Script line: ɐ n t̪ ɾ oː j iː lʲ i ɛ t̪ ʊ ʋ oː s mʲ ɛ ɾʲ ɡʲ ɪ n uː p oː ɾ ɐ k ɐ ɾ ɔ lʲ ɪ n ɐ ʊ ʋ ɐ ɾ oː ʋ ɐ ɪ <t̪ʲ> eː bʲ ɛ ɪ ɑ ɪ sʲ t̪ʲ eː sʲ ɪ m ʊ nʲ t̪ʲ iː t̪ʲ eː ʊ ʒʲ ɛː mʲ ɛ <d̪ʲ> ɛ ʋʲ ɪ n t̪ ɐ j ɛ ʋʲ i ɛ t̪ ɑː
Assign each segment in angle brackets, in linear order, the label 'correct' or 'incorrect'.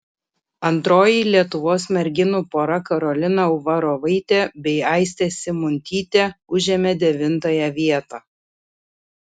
correct, correct

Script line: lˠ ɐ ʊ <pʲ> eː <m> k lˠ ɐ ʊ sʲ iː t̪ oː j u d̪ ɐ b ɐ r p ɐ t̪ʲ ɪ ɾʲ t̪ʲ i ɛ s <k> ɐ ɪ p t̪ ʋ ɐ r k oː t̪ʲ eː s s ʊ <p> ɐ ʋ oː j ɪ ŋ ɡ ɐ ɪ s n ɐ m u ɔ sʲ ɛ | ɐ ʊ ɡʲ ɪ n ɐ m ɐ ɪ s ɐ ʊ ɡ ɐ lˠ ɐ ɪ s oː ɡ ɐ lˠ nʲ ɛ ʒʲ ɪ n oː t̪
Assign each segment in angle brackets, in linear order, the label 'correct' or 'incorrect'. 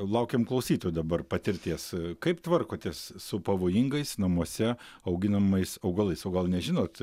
incorrect: kʲ, correct, correct, correct

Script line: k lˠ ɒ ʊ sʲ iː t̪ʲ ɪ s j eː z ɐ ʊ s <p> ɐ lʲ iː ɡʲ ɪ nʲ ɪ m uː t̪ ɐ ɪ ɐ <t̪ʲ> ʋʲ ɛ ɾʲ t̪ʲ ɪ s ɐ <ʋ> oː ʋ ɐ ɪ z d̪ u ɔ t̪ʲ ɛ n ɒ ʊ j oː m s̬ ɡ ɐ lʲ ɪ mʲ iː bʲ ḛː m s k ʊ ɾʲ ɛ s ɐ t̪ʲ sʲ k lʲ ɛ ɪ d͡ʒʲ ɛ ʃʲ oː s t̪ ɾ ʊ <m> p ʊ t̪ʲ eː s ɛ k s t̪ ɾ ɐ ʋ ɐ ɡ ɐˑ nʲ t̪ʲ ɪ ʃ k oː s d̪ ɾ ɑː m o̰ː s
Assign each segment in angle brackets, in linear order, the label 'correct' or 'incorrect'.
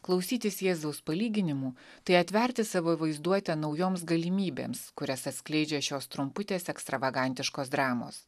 correct, correct, correct, correct

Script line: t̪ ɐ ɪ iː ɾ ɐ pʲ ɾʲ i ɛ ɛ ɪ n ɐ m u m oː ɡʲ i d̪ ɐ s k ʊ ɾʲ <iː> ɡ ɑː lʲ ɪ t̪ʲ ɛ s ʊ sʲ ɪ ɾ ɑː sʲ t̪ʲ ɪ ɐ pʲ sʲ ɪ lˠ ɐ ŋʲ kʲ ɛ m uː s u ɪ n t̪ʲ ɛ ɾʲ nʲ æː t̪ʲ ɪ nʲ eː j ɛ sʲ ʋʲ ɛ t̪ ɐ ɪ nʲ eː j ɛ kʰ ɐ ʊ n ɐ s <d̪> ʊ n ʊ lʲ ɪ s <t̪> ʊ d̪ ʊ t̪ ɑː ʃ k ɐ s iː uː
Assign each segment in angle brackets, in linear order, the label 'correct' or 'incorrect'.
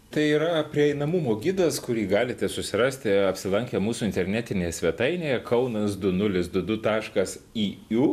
correct, correct, incorrect: d̪

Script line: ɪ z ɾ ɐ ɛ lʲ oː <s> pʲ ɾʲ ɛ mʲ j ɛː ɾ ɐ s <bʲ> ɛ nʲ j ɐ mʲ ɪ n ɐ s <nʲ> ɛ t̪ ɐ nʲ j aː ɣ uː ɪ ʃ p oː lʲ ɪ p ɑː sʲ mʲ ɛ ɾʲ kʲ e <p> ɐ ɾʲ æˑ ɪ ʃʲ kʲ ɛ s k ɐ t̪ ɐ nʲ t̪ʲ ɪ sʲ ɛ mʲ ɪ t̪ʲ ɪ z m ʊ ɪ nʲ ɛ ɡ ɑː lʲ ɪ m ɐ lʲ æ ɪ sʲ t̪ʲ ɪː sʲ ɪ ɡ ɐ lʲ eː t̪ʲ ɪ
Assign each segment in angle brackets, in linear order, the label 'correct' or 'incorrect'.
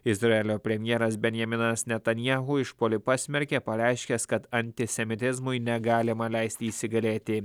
incorrect: none, correct, correct, correct

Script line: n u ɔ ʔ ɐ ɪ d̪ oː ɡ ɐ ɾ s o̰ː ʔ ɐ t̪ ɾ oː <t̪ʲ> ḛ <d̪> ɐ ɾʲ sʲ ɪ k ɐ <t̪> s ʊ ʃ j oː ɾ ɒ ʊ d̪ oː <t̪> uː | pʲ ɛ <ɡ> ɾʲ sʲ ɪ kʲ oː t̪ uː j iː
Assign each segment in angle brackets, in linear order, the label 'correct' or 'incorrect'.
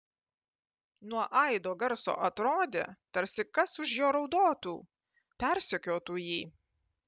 incorrect: d̪ʲ, incorrect: t̪, incorrect: none, correct, incorrect: none

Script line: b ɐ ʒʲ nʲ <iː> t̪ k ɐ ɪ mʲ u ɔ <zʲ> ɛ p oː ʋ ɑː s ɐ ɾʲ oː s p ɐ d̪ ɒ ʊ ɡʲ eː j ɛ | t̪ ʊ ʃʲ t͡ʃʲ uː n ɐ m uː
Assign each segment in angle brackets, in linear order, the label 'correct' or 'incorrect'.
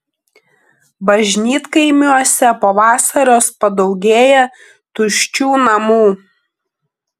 correct, incorrect: sʲ

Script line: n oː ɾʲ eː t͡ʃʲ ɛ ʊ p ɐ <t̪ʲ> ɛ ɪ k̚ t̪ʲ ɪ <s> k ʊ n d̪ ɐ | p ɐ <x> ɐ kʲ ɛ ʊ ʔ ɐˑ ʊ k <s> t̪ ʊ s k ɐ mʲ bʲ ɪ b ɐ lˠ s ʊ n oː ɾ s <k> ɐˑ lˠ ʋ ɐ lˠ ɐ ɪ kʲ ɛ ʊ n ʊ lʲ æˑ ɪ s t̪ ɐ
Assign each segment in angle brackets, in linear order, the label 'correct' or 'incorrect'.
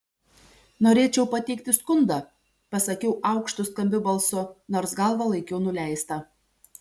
correct, correct, incorrect: s, incorrect: ʃ, incorrect: ɡ

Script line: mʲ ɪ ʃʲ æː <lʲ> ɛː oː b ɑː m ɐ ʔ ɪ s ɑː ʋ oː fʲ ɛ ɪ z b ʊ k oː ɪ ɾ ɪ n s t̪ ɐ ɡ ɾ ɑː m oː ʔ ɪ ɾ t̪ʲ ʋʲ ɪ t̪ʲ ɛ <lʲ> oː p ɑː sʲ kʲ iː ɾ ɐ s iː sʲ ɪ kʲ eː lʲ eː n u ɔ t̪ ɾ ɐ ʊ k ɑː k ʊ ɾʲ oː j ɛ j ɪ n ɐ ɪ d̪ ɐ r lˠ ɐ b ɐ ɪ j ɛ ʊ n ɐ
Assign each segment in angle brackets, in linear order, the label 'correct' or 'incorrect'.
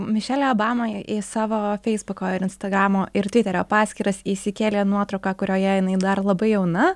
correct, incorrect: ɾʲ

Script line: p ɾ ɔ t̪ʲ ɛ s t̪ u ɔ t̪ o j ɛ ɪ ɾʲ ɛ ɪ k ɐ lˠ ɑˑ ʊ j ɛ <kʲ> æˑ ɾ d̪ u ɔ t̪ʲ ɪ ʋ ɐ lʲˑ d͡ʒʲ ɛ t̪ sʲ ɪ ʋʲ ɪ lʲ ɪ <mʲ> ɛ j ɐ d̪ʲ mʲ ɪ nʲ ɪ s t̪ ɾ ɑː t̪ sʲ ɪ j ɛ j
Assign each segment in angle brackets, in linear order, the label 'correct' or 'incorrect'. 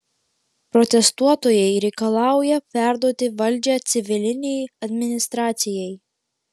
incorrect: pʲ, incorrect: nʲ

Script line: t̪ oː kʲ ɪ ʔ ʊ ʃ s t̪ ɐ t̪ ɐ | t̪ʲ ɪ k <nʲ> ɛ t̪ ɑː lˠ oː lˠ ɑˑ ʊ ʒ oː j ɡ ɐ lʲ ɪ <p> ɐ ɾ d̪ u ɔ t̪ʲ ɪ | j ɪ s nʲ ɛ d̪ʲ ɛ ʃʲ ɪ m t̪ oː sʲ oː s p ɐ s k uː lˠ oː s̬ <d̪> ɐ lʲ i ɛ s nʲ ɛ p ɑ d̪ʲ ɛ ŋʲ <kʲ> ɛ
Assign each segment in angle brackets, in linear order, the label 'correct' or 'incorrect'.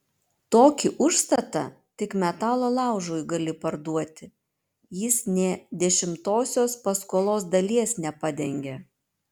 incorrect: mʲ, correct, correct, incorrect: ɡʲ

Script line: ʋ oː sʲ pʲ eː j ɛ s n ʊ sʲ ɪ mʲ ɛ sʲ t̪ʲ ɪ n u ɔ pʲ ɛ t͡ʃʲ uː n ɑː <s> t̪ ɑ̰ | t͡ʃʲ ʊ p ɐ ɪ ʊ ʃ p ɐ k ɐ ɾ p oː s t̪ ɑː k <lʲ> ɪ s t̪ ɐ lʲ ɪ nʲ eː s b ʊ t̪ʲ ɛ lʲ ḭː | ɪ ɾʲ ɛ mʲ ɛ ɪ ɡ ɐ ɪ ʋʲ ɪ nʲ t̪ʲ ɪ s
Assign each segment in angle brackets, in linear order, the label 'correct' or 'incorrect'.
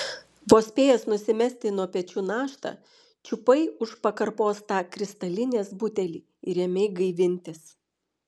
incorrect: ʃ, incorrect: ɾʲ

